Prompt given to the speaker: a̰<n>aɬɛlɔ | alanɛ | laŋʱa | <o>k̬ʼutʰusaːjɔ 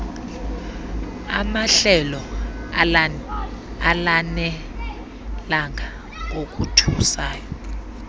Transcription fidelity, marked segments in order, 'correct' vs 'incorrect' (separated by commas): incorrect, correct